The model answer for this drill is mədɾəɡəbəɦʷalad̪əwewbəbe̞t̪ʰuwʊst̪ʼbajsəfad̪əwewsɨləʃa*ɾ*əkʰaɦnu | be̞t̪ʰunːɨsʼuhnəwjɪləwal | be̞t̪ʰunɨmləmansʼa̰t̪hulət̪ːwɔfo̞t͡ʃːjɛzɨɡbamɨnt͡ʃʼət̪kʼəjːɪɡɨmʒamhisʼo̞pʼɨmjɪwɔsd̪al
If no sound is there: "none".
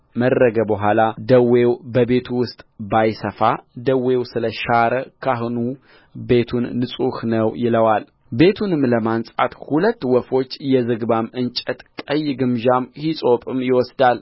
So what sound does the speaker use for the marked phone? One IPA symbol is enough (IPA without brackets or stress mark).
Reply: ɾ